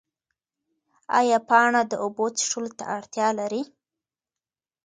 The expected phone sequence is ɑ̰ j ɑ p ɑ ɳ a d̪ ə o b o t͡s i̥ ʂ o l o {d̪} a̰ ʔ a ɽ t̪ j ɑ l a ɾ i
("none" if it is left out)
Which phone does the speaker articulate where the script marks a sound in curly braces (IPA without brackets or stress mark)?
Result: t̪